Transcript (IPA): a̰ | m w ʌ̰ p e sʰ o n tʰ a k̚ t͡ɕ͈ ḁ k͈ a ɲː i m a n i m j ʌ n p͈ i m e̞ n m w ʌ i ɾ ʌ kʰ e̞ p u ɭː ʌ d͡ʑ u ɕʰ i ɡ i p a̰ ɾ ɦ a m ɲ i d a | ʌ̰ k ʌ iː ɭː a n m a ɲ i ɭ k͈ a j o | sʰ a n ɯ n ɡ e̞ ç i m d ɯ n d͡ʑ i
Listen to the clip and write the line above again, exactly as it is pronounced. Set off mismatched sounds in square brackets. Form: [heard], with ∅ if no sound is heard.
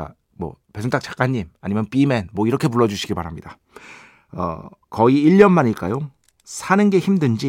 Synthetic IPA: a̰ | m w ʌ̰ p e sʰ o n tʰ a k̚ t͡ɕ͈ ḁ k͈ a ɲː i m a [ɲ] i m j ʌ n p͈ i m e̞ n m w ʌ i ɾ ʌ kʰ e̞ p u ɭː ʌ d͡ʑ u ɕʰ i ɡ i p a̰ ɾ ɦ a m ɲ i d a | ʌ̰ k ʌ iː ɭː [ʌ] n m a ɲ i ɭ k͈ a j o | sʰ a n ɯ n ɡ e̞ ç i m d ɯ n d͡ʑ i